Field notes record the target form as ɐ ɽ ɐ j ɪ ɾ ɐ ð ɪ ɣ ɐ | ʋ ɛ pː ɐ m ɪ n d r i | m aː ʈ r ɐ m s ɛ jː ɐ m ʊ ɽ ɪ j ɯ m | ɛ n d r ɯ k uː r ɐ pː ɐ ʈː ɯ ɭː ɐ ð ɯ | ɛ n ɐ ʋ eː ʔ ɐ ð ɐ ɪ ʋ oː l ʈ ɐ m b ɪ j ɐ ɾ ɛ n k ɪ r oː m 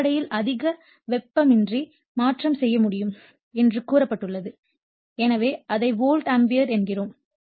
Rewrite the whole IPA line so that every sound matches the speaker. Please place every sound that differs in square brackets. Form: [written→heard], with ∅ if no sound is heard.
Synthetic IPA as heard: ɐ ɽ ɐ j ɪ [ɾ→l] ɐ ð ɪ ɣ ɐ | ʋ ɛ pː ɐ m ɪ n d r i | m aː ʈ r ɐ m s ɛ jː ɐ m ʊ ɽ ɪ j ɯ m | ɛ n d r ɯ k uː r ɐ pː ɐ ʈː ɯ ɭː ɐ ð ɯ | ɛ n ɐ ʋ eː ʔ ɐ ð ɐ ɪ ʋ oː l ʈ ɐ m b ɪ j ɐ ɾ ɛ n [k→ɡ] ɪ r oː m